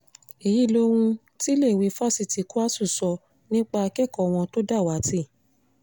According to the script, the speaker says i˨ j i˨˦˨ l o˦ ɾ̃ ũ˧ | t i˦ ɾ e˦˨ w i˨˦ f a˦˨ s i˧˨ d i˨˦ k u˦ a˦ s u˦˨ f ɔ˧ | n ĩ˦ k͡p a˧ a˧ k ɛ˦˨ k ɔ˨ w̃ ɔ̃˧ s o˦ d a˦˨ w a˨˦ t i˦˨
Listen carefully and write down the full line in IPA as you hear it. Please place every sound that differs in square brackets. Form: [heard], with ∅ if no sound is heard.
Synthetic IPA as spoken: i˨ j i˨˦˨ l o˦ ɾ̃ ũ˧ | t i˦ [l] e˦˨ w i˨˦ f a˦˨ s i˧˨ [t] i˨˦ k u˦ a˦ s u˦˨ [s] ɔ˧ | n ĩ˦ k͡p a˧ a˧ k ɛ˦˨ k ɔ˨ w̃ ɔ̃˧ [t] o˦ d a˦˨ w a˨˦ t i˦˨